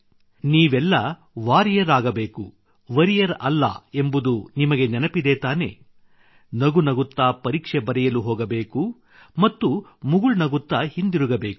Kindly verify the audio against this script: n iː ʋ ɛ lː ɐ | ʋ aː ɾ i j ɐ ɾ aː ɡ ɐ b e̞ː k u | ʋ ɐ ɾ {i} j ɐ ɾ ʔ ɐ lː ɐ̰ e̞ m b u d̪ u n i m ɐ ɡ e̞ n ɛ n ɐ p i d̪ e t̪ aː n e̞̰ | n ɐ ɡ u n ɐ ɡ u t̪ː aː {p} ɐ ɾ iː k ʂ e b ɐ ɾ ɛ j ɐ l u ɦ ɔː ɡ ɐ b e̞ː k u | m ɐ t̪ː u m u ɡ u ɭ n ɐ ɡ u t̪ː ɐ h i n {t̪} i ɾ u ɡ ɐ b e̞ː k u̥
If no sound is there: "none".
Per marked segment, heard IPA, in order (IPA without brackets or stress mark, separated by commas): i, p, d̪